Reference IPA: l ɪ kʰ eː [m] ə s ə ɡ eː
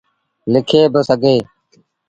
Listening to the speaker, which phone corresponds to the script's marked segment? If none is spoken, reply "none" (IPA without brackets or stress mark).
b